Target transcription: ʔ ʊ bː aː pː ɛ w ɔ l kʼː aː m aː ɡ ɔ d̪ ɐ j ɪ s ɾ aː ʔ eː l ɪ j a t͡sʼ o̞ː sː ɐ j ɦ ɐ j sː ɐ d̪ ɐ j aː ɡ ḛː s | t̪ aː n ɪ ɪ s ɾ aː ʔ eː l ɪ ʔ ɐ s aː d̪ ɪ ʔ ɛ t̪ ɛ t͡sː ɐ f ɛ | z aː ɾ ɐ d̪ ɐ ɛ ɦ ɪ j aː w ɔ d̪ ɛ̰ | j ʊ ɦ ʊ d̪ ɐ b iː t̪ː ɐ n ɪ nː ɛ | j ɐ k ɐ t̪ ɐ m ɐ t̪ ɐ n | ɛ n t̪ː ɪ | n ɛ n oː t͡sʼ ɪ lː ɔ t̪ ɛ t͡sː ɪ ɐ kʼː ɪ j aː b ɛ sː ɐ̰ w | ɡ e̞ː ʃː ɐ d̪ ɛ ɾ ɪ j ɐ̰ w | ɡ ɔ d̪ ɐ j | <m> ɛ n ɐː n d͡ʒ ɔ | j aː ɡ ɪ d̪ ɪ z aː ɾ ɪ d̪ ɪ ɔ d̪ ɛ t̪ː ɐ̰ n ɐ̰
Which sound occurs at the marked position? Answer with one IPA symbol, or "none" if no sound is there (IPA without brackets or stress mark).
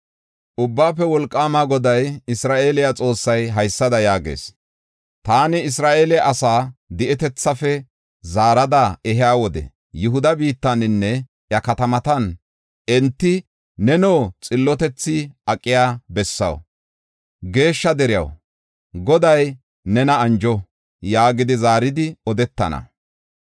n